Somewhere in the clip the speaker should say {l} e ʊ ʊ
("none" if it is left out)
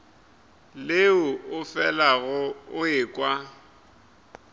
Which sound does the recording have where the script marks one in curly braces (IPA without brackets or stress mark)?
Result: l